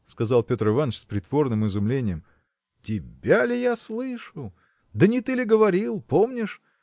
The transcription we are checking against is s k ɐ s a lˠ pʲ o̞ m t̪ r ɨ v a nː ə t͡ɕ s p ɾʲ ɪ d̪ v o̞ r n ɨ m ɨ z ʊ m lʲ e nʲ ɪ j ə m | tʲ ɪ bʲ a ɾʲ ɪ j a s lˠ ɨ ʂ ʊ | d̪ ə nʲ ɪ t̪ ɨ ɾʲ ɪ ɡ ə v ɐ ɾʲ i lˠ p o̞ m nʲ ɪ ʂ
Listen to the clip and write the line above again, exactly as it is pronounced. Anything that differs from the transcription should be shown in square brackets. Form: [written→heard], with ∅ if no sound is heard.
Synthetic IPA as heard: s k ɐ [s→z] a lˠ pʲ o̞ [m→∅] t̪ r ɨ v a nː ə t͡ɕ s p ɾʲ ɪ [d̪→t̪] v o̞ r n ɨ m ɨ z ʊ m lʲ e nʲ ɪ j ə m | tʲ ɪ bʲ a [ɾʲ→lʲ] ɪ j a s lˠ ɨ ʂ ʊ | d̪ ə nʲ ɪ t̪ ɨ [ɾʲ→lʲ] ɪ ɡ ə v ɐ ɾʲ i lˠ p o̞ m nʲ ɪ ʂ

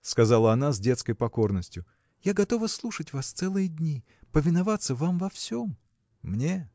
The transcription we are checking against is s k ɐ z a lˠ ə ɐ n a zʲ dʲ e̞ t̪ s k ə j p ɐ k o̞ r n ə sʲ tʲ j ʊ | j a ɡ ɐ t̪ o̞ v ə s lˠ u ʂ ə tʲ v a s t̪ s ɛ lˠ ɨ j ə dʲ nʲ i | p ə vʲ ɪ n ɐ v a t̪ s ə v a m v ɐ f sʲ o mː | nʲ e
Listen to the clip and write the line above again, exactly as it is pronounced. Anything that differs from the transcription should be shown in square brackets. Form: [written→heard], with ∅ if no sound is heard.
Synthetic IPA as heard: s k ɐ z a lˠ ə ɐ n a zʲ dʲ e̞ t̪ s k ə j p ɐ k o̞ r n ə sʲ tʲ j ʊ | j a ɡ ɐ t̪ o̞ v ə s lˠ u ʂ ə tʲ v a s t̪ s ɛ lˠ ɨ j ə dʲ nʲ i | p ə vʲ ɪ n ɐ v a t̪ s ə v a m v ɐ f sʲ o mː | nʲ e

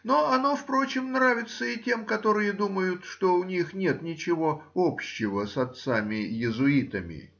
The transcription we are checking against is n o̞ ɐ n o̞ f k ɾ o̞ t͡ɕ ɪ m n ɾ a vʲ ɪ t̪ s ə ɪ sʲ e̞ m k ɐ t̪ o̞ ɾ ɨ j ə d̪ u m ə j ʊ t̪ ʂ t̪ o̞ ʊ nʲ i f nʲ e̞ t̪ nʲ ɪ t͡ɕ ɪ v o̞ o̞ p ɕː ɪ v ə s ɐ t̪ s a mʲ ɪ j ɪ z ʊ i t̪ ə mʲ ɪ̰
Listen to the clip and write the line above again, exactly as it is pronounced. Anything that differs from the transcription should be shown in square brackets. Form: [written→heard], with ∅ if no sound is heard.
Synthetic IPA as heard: n o̞ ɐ n o̞ f [k→p] ɾ o̞ t͡ɕ ɪ m n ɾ a vʲ ɪ t̪ s ə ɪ [sʲ→tʲ] e̞ m k ɐ t̪ o̞ ɾ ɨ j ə d̪ u m ə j ʊ t̪ ʂ t̪ o̞ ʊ nʲ i [f→x] nʲ e̞ t̪ nʲ ɪ t͡ɕ ɪ v o̞ o̞ p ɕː ɪ v ə s ɐ t̪ s a mʲ ɪ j ɪ z ʊ i t̪ ə mʲ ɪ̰

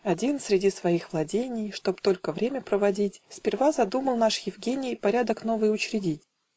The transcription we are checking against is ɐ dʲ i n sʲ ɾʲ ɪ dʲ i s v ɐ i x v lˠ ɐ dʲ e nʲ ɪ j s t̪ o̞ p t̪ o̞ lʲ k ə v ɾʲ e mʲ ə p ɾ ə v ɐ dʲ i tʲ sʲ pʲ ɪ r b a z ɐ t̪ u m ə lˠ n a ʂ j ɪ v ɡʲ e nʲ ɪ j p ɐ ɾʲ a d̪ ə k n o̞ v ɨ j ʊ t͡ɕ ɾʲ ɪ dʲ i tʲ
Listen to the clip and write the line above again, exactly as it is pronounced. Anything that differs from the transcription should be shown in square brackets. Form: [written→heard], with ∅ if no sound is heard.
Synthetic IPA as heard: ɐ dʲ i n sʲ ɾʲ ɪ dʲ i s v ɐ i x v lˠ ɐ dʲ e nʲ ɪ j [s→ʂ] t̪ o̞ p t̪ o̞ lʲ k ə v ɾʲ e mʲ ə p ɾ ə v ɐ dʲ i tʲ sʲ pʲ ɪ r [b→v] a z ɐ [t̪→d̪] u m ə lˠ n a ʂ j ɪ v ɡʲ e nʲ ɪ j p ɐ ɾʲ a d̪ ə k n o̞ v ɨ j ʊ t͡ɕ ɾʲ ɪ dʲ i tʲ

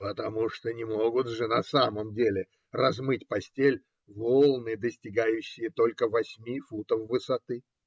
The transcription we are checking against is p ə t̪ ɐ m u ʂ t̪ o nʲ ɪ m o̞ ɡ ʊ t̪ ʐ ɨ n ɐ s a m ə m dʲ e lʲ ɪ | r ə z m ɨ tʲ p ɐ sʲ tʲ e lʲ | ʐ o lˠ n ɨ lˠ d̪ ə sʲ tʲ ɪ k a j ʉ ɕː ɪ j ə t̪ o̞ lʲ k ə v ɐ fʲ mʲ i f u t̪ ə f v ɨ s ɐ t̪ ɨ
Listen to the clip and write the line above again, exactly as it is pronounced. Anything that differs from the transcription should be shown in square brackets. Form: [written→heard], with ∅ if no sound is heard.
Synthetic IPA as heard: p ə t̪ ɐ m u ʂ t̪ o nʲ ɪ m o̞ ɡ ʊ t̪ ʐ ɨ n ɐ s a m ə m dʲ e lʲ ɪ | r [ə→ɐ] z m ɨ tʲ p ɐ sʲ tʲ e lʲ | [ʐ→v] o lˠ n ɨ [lˠ→∅] d̪ ə sʲ tʲ ɪ [k→ɡ] a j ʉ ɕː ɪ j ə t̪ o̞ lʲ k ə v ɐ [fʲ→sʲ] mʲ i f u t̪ ə f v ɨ s ɐ t̪ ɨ

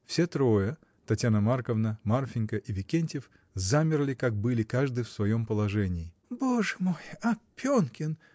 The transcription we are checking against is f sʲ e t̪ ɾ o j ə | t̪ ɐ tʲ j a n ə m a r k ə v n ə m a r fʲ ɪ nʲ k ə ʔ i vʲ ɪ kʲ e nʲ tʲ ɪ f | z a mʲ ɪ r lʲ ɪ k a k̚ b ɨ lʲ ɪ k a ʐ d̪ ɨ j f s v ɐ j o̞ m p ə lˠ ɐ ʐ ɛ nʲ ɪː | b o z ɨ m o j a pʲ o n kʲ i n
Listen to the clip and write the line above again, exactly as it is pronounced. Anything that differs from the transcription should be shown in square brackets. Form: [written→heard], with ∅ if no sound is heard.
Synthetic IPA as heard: f sʲ e t̪ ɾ o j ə | t̪ ɐ tʲ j a n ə m a r k ə v n ə m a r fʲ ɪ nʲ k ə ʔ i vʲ ɪ kʲ e nʲ tʲ ɪ f | z a mʲ ɪ r lʲ ɪ k a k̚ b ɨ lʲ ɪ k a ʐ d̪ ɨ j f s v ɐ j o̞ m p ə lˠ ɐ ʐ ɛ nʲ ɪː | b o [z→ʐ] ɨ m o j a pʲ o n kʲ [i→ɪ] n

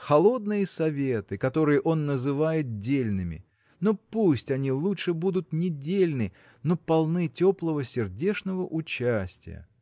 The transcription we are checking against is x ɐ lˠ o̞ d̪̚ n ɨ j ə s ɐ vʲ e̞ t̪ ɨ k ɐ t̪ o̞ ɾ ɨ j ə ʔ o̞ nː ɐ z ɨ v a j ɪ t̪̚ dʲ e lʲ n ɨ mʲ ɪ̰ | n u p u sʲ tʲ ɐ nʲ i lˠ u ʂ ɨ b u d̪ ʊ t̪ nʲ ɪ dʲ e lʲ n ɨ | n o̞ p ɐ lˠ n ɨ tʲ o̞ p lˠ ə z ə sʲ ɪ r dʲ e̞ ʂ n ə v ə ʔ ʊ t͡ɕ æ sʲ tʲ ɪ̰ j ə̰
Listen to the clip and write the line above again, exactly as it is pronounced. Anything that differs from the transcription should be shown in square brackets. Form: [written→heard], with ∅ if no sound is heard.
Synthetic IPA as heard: x ɐ lˠ o̞ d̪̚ n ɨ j ə s ɐ vʲ e̞ t̪ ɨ k ɐ t̪ o̞ ɾ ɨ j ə ʔ o̞ nː [ɐ→ə] z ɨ v a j ɪ t̪̚ dʲ e lʲ n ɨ mʲ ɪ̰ | n [u→o] p u sʲ tʲ ɐ nʲ i lˠ u ʂ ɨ b u d̪ ʊ t̪ nʲ ɪ dʲ e lʲ n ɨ | n o̞ p ɐ lˠ n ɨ tʲ o̞ p lˠ ə [z→v] ə sʲ ɪ r dʲ e̞ ʂ n ə v ə ʔ ʊ t͡ɕ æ sʲ tʲ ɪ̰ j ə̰

